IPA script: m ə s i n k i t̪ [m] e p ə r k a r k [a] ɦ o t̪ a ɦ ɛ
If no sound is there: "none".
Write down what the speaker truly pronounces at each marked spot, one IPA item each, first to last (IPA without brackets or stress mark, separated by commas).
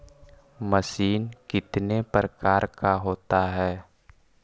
n, a